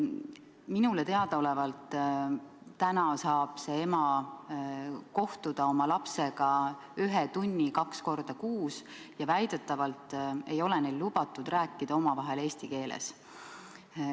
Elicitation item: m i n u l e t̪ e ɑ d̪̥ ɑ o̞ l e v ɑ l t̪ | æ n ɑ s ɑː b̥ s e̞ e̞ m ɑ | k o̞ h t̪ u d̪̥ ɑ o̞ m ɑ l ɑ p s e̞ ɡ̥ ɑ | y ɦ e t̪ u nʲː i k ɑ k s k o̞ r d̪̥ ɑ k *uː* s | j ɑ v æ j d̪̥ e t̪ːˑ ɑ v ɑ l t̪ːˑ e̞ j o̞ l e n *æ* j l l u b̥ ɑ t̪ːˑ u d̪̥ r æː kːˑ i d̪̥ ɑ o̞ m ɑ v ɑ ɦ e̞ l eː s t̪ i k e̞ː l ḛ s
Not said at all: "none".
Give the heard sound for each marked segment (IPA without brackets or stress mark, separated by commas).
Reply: uː, e